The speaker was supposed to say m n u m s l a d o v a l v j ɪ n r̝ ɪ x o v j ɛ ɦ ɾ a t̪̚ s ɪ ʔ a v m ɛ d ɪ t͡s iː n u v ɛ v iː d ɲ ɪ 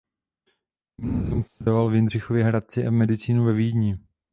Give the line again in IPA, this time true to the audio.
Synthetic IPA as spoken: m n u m s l ɛ d o v a l v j ɪ n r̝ ɪ x o v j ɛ ɦ ɾ a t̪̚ t͡s ɪ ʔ a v m ɛ d ɪ t͡s iː n u v ɛ v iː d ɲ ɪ